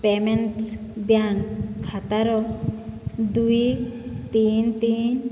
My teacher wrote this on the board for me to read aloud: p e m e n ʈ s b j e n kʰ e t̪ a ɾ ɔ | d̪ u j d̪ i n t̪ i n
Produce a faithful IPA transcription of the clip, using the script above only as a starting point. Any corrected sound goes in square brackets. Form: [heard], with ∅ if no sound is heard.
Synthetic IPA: p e m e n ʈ s b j [a] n kʰ [a] t̪ a ɾ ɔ | d̪ u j [t̪] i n t̪ i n